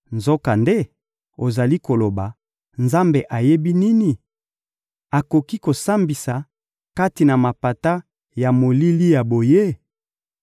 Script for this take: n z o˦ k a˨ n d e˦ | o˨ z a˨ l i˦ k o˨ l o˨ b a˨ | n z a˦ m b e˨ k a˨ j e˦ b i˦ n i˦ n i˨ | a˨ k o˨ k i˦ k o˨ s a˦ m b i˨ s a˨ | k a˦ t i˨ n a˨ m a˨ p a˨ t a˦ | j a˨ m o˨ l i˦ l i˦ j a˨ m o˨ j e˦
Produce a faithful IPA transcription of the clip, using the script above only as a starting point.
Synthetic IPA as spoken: n z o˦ k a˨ n d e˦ | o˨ z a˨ l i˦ k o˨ l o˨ b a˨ | n z a˦ m b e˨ ʔ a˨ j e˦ b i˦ n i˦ n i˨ | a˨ k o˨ k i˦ k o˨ s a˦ m b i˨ s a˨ | k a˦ t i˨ n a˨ m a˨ p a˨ t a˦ | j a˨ m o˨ l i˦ l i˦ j a˨ b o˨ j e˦